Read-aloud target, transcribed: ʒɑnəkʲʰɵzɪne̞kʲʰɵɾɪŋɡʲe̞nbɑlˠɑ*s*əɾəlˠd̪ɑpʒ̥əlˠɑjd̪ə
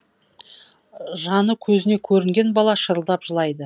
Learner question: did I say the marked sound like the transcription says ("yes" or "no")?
no